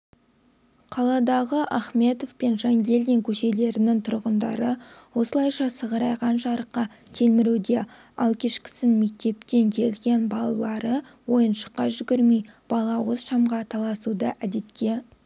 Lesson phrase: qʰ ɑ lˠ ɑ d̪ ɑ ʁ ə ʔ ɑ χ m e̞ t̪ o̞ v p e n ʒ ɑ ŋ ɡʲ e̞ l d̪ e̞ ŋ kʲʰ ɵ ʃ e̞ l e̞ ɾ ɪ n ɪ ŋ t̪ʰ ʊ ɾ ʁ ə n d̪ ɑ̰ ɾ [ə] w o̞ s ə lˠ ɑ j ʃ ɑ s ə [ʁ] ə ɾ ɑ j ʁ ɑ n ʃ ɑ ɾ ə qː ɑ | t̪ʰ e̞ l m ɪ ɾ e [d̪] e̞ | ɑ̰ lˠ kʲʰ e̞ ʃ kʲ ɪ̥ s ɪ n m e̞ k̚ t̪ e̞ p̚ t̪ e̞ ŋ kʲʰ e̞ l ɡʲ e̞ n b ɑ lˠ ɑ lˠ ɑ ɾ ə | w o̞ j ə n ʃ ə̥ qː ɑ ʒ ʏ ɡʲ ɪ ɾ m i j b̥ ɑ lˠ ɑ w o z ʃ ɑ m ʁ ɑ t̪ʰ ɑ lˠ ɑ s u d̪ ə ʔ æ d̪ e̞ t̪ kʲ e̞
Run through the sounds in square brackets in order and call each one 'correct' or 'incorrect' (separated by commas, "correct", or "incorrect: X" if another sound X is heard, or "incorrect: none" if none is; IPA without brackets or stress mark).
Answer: correct, correct, correct